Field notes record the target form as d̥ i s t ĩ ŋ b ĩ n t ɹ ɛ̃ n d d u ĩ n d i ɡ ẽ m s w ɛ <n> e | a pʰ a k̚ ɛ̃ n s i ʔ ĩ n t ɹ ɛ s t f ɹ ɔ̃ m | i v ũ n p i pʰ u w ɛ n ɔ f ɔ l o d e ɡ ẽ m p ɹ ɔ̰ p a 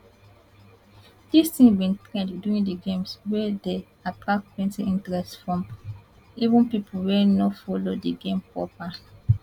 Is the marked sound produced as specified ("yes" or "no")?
no